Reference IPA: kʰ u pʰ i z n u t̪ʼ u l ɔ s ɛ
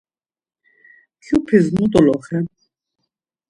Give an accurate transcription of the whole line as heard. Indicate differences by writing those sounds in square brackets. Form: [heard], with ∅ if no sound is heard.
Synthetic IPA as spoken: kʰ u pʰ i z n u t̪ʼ [ɔ] l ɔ [χ] ɛ